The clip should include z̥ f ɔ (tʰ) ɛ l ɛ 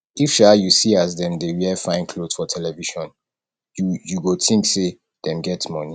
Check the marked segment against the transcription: correct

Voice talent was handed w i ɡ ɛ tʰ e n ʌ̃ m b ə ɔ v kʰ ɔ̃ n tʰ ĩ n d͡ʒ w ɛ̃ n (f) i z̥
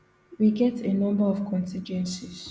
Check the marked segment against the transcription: incorrect: s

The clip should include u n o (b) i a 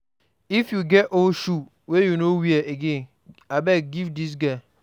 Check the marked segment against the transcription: incorrect: w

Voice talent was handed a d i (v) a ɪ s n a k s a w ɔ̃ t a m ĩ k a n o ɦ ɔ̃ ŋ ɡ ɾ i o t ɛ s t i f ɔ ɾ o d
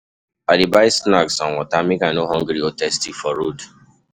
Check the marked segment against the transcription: incorrect: b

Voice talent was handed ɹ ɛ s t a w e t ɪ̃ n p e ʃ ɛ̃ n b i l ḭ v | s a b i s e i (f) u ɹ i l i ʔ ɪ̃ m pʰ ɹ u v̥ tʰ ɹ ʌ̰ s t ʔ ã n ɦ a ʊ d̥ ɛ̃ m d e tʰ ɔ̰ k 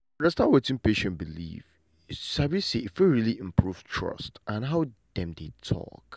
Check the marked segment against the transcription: correct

